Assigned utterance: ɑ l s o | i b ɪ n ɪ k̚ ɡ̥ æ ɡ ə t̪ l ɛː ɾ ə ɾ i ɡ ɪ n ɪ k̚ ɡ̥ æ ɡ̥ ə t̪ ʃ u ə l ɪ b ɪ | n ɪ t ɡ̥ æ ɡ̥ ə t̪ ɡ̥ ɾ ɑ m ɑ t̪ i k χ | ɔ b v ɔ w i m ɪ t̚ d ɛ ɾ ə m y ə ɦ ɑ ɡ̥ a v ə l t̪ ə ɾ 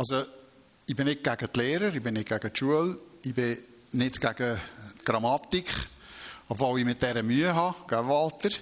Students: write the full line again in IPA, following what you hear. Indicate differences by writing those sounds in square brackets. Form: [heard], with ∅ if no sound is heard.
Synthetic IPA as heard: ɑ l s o | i b ɪ n ɪ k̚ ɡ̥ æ ɡ ə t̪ l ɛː ɾ ə ɾ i [b] ɪ n ɪ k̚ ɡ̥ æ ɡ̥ ə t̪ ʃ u ə l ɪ b ɪ | n ɪ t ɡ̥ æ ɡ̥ ə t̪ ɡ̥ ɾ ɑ m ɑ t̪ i k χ | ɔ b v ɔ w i m ɪ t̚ d ɛ ɾ ə m y ə ɦ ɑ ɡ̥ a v [ɑ] l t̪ ə ɾ